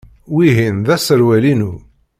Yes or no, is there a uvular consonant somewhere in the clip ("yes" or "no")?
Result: no